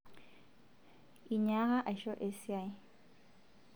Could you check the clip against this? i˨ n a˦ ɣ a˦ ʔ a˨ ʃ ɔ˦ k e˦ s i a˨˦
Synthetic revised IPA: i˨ ɲ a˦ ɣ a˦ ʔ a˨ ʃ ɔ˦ ʔ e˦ s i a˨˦